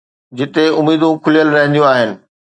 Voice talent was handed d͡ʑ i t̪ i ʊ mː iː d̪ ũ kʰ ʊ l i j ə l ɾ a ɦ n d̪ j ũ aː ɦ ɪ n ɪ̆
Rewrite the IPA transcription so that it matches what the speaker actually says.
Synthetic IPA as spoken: d͡ʑ ɪ t̪ e ʊ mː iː d̪ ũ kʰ ʊ l i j ə l ɾ ɐ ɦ n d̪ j ũ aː ɦ ɪ n ɪ̆